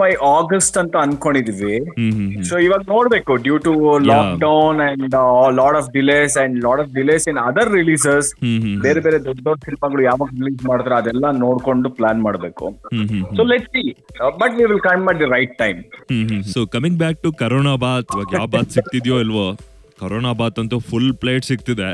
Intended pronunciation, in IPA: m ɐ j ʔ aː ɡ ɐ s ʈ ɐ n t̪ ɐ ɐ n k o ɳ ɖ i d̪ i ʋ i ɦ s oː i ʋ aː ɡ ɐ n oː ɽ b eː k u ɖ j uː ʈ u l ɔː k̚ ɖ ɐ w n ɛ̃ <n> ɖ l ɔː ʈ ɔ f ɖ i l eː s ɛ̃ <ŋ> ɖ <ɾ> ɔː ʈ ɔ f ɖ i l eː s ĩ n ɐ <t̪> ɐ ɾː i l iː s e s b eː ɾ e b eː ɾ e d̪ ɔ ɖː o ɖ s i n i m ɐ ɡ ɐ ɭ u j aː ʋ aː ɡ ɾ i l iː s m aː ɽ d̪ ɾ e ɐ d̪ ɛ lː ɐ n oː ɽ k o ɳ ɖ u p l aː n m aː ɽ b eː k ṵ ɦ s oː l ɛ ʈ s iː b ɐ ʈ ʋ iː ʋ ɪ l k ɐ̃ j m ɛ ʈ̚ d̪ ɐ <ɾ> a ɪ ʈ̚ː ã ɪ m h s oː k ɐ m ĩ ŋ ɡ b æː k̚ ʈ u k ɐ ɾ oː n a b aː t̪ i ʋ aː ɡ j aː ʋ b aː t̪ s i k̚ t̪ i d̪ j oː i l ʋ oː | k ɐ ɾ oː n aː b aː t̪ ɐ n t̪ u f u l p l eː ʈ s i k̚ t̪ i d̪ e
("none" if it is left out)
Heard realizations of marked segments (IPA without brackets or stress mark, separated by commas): ɳ, ɳ, l, d̪, ɾ